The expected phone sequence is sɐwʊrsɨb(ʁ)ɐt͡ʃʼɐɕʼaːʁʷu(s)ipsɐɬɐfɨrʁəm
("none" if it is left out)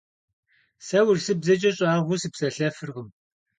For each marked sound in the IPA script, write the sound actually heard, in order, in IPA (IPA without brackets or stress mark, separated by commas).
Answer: z, s